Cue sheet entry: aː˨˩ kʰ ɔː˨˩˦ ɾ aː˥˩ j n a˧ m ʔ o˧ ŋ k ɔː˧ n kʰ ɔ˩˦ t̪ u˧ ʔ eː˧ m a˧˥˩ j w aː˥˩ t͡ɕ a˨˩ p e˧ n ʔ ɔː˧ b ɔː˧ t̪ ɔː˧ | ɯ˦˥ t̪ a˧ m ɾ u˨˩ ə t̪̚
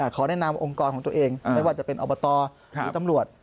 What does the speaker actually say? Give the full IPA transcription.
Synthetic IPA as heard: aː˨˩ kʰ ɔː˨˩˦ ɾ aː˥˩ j n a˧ m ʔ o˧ ŋ k ɔː˧ n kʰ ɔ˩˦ t̪ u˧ ʔ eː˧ ŋ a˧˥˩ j w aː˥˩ t͡ɕ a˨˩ p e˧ n ʔ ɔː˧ b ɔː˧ t̪ ɔː˧ | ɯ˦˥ t̪ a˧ m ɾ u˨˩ ə t̪̚